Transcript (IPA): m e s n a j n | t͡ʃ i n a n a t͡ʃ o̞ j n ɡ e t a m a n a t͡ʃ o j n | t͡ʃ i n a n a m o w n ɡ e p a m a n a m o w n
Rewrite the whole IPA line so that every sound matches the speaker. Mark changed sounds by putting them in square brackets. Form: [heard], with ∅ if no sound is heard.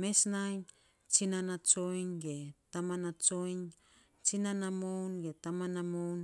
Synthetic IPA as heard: m e s n a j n | t͡ʃ i n a n a t͡ʃ o̞ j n ɡ e t a m a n a t͡ʃ o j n | t͡ʃ i n a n a m o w n ɡ e [t] a m a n a m o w n